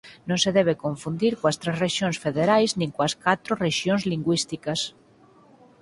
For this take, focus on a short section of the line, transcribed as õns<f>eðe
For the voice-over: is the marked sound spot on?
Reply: yes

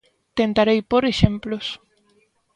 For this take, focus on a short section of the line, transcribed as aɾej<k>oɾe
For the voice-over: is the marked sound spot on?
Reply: no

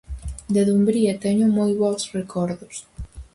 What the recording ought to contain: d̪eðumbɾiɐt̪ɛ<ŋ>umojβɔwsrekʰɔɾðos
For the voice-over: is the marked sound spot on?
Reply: no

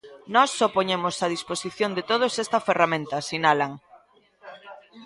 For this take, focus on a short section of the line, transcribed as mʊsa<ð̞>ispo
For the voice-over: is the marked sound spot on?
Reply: yes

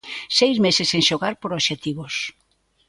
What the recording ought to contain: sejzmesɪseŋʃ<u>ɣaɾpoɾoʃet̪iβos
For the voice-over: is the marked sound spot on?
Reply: no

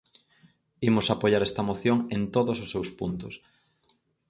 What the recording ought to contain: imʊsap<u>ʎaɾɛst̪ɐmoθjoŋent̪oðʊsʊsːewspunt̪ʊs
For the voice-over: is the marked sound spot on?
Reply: no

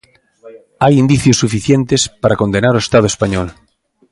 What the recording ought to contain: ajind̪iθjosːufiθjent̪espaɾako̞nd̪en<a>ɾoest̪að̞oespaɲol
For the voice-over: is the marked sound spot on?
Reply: yes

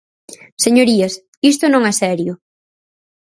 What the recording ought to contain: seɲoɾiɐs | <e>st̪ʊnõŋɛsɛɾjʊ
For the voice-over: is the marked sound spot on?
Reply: no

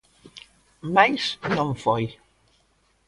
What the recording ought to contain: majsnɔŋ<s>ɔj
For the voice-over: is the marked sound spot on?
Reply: no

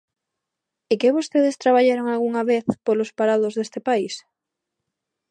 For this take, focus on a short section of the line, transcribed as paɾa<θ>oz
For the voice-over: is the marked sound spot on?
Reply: no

